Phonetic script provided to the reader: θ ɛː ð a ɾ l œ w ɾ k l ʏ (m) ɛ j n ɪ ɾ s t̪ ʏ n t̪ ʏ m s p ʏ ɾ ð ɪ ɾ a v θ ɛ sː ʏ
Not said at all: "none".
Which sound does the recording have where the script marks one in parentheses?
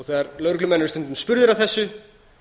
m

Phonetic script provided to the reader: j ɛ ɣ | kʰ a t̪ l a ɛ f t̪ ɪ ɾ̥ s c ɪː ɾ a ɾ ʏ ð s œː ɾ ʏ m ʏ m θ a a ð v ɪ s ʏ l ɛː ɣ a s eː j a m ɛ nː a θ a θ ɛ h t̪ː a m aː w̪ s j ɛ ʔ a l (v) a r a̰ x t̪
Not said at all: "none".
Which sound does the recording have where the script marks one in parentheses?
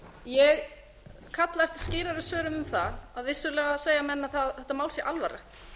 v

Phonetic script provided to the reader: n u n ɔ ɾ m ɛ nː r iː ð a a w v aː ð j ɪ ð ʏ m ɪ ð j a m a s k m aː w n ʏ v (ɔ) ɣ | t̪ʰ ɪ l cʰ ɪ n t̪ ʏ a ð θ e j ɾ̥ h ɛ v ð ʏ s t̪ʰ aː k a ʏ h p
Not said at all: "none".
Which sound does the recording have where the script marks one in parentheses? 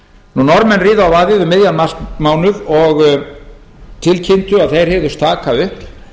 ɔ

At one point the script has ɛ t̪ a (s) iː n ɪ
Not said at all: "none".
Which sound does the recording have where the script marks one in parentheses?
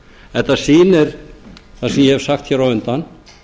s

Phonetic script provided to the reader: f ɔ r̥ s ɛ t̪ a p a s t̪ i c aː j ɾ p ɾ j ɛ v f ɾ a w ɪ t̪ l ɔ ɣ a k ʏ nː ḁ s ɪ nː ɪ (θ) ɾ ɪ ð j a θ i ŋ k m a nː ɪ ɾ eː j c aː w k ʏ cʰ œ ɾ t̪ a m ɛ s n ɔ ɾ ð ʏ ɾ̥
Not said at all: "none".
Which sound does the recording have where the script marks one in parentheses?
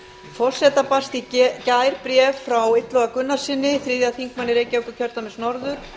θ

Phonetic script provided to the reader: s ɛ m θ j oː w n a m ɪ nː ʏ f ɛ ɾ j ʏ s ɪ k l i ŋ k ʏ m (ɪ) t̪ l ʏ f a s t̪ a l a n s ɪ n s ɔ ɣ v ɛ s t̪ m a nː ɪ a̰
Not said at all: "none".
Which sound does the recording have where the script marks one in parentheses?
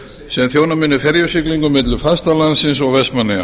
ɪ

